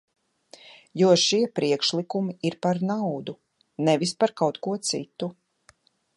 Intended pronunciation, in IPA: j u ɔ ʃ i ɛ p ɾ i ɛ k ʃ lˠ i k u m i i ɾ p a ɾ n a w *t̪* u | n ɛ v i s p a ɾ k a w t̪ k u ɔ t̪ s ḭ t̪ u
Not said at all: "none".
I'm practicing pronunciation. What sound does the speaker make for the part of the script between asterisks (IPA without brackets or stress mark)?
d̪